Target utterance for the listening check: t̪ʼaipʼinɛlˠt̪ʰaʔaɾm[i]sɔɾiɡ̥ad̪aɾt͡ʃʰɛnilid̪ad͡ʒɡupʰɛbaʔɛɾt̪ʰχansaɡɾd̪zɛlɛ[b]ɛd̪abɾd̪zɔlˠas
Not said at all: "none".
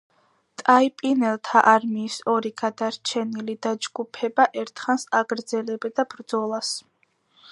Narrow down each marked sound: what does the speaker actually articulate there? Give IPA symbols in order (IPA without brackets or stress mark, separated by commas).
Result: iː, b